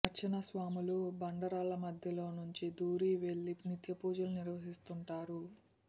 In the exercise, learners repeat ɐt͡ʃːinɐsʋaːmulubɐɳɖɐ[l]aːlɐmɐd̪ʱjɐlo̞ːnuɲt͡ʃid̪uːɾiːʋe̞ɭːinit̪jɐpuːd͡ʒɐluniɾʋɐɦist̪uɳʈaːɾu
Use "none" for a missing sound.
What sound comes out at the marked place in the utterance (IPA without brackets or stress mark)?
ɾ